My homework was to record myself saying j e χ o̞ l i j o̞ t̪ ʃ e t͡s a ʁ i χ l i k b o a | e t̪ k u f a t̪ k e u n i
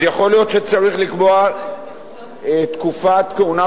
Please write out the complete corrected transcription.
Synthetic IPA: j a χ o̞ l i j o̞ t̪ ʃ e t͡s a ʁ i χ l i k b o a | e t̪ k u f a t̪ k e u n a